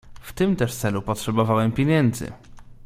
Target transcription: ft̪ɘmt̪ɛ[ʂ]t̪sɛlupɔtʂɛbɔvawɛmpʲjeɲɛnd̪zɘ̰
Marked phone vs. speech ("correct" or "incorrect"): correct